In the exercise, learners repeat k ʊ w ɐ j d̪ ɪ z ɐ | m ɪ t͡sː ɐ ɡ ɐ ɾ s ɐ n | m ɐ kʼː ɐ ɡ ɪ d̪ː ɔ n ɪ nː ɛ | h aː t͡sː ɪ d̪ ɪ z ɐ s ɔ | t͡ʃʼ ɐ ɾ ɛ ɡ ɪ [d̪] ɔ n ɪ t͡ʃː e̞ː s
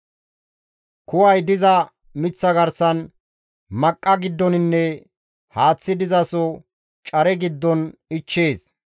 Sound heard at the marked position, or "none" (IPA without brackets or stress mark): d̪ː